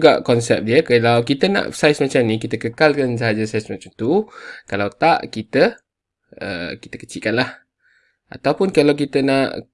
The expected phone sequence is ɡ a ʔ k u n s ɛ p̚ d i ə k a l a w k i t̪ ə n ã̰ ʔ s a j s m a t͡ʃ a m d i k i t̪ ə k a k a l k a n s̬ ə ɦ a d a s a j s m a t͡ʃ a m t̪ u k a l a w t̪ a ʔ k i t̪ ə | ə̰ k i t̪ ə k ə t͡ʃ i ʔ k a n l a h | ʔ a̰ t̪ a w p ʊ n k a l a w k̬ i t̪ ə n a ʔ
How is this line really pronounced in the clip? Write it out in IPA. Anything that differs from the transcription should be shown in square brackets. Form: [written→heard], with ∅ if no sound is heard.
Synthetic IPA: ɡ a ʔ k [u→ɔ] n s ɛ p̚ d i ə k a l a w k i t̪ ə n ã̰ ʔ s a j s m a t͡ʃ a m [d→n] i k i t̪ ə k [a→ə] k a l k a n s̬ ə ɦ a [d→d͡ʒ] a s a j s m a t͡ʃ a m t̪ u k a l a w t̪ a ʔ k i t̪ ə | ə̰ k i t̪ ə k ə t͡ʃ i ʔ k a n l a h | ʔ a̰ t̪ a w p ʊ n k a l a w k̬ i t̪ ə n a ʔ